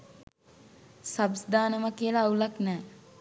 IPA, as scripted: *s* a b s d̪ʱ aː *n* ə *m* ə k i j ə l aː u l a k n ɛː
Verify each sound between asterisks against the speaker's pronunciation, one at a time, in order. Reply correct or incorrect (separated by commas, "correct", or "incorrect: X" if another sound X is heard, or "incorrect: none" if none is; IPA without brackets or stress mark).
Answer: correct, correct, correct